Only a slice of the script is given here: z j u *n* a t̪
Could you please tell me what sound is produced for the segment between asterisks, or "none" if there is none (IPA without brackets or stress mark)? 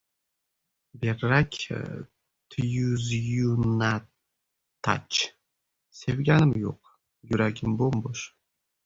n